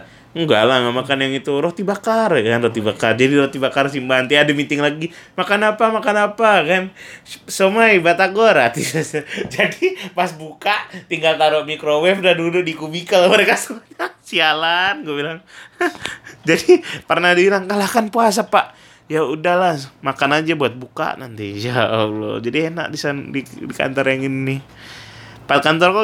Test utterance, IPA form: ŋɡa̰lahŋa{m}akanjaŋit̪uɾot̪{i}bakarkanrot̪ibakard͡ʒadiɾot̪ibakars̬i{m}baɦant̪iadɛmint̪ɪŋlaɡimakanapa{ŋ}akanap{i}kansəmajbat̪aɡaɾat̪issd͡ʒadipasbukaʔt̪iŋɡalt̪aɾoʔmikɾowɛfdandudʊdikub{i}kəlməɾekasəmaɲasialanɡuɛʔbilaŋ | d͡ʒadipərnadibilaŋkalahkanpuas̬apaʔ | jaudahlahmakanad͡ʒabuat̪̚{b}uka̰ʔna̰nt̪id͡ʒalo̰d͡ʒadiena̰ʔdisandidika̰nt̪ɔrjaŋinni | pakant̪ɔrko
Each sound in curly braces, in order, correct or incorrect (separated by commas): correct, correct, correct, incorrect, incorrect, correct, correct